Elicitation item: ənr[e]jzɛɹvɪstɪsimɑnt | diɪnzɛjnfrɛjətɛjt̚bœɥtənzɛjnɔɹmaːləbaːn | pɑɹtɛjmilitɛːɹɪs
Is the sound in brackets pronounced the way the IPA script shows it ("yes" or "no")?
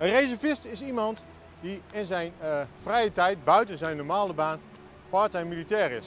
yes